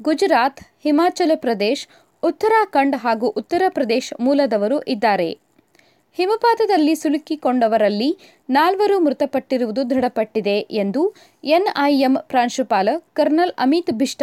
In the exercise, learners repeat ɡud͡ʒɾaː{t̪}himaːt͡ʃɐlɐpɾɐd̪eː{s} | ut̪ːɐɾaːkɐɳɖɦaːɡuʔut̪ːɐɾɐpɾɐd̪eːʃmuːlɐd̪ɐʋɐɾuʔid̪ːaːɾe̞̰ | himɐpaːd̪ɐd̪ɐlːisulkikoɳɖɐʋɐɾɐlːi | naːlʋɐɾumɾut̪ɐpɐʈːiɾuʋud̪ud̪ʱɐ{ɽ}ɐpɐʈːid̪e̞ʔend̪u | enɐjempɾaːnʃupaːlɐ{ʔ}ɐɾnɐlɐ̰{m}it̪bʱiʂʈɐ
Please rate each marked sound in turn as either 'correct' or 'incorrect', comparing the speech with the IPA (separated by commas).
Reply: correct, incorrect, correct, incorrect, correct